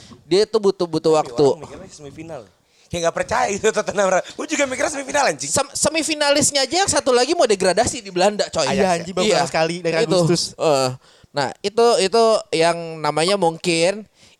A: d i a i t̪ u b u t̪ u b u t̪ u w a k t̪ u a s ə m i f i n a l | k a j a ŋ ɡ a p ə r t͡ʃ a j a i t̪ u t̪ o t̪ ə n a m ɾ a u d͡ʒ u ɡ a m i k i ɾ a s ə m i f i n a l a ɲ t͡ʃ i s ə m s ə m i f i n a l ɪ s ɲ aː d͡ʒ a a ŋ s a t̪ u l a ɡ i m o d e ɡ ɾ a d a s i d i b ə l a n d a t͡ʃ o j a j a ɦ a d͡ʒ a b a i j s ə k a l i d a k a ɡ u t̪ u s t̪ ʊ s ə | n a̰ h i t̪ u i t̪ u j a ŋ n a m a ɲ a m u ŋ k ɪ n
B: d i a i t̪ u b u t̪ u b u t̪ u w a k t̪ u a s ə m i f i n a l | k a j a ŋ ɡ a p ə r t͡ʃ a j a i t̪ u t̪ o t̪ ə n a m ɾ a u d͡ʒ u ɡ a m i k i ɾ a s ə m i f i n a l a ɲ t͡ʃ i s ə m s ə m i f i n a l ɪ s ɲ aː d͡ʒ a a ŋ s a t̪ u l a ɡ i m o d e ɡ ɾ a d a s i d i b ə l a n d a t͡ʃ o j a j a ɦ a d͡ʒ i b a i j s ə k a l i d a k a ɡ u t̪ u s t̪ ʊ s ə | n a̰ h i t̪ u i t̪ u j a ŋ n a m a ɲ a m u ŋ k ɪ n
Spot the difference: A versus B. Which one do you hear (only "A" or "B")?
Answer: B